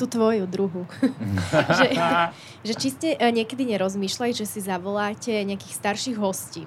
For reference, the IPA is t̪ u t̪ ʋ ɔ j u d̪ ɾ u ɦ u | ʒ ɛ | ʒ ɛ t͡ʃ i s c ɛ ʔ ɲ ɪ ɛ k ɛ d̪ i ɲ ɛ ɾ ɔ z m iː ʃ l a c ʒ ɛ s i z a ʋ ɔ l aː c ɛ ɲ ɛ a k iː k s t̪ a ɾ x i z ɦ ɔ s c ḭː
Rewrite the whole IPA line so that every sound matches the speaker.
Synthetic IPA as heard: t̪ u t̪ ʋ ɔ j u d̪ ɾ u ɦ u | ʒ ɛ | ʒ ɛ t͡ʃ i s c ɛ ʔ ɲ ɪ ɛ k ɛ d̪ i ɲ ɛ ɾ ɔ z m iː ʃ l a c ʒ ɛ s i z a ʋ ɔ l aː c ɛ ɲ ɛ a k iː x s t̪ a ɾ ʃ i ɣ ɦ ɔ s c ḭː